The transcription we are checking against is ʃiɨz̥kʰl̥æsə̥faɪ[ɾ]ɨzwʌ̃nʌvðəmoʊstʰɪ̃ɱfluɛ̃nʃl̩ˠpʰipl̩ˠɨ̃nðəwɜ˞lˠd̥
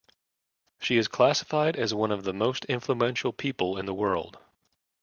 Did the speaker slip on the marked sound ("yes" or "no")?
no